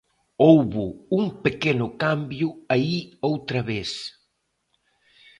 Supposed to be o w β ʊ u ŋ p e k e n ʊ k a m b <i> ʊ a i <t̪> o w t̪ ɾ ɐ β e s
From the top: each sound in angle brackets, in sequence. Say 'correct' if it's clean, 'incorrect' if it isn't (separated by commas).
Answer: incorrect, incorrect